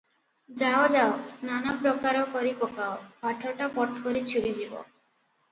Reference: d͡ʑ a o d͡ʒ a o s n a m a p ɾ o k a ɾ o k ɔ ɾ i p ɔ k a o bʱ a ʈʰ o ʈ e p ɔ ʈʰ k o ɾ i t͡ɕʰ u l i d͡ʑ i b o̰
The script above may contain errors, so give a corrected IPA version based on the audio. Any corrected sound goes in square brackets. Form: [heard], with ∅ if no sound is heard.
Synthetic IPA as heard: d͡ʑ a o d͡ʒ a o s n a [n] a p ɾ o k a ɾ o k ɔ ɾ i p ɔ k a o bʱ a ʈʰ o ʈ [a] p ɔ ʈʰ k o ɾ i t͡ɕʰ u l i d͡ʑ i b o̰